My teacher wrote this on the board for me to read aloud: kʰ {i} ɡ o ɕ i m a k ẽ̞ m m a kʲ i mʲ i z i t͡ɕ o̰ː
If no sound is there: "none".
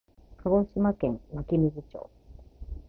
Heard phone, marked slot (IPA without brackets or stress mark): a